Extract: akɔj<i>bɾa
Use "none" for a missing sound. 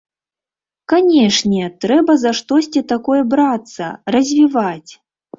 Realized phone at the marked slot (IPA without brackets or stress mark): ɛ